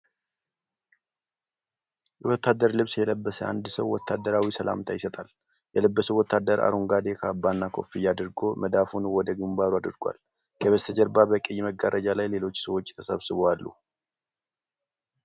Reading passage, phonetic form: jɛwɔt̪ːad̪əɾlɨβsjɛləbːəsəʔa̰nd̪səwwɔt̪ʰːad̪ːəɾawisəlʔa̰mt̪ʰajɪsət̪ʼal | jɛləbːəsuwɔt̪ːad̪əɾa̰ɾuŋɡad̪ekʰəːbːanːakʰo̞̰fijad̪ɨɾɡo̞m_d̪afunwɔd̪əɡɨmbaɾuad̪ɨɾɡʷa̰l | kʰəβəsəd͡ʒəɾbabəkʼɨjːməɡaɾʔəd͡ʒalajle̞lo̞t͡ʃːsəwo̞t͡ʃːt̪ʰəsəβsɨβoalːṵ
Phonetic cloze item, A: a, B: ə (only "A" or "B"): B